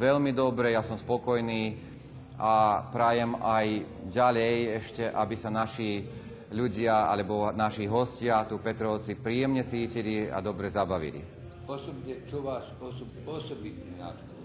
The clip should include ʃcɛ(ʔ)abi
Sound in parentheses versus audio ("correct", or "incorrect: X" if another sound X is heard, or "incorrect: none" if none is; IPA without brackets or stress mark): correct